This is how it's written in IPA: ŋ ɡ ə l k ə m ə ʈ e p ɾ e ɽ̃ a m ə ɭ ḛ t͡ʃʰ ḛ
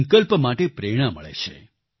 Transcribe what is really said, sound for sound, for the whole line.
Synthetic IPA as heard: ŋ k ə l p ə m a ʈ e p ɾ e ɽ̃ a m ə ɭ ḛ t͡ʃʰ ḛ